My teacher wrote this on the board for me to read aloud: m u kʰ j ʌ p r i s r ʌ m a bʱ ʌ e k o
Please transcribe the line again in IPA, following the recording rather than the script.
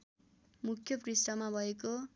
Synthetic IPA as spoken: m u kʰ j ʌ p r i s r ʌ m a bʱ ʌ e k o